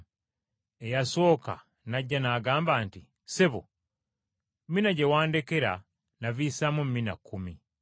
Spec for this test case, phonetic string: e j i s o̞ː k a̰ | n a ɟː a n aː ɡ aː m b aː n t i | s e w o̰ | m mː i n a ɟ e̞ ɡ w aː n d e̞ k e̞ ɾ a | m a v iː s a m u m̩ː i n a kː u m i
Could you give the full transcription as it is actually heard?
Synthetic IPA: e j a s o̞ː k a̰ | n a ɟː a n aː ɡ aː m b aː n t i | s e β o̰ | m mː i n a ɟ e̞ w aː n d e̞ k e̞ ɾ a | n a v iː s a m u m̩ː i n a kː u m i